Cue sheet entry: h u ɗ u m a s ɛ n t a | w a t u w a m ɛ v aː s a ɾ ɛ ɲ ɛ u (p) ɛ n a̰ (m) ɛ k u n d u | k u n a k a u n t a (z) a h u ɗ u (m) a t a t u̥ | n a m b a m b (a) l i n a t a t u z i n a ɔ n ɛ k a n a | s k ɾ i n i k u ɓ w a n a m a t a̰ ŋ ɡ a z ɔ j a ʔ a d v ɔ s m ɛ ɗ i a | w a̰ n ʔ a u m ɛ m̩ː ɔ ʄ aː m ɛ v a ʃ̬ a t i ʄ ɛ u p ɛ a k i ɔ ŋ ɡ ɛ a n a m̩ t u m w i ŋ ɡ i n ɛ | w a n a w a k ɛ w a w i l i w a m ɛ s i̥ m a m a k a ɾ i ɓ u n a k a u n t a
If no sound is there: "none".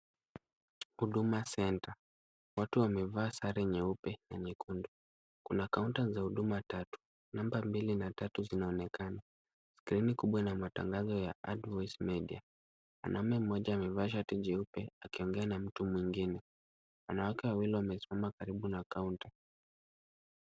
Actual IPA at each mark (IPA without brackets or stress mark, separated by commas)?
p, ɲ, z, m, i